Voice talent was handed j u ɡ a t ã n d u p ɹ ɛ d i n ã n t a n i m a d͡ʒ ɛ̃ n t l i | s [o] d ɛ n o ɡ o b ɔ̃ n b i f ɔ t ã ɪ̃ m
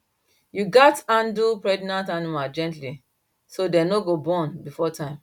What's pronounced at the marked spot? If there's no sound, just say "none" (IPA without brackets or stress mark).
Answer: o